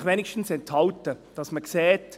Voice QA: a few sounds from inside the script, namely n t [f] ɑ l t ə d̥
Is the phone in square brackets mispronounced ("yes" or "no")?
yes